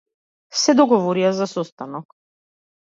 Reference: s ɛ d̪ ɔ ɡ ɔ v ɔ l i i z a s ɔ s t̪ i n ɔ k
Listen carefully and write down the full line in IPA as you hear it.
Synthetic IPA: s ɛ d̪ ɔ ɡ ɔ v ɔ ɾ i a z a s ɔ s t̪ a n ɔ k